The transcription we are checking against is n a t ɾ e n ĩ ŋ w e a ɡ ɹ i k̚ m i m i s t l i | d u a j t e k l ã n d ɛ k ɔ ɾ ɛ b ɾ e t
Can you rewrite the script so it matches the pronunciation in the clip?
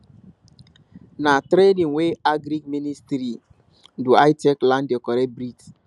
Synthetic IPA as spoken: n a t ɾ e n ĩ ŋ w e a ɡ ɾ i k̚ m i n i s t ɾ i | d u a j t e k l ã n d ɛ k ɔ ɾ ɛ b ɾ i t